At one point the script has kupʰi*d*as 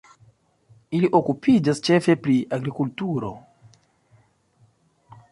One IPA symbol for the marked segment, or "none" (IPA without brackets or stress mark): d͡ʒ